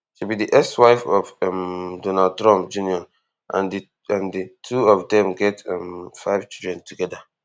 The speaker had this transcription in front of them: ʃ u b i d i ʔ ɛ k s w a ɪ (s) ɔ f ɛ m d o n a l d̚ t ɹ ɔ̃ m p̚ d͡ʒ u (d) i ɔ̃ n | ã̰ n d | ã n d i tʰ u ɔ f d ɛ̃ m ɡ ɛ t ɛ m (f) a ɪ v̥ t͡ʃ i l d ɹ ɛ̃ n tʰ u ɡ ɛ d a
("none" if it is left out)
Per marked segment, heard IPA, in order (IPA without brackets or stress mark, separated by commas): f, n, f